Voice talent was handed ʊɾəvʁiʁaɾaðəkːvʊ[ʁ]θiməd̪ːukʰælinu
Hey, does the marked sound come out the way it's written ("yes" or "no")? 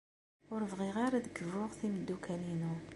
yes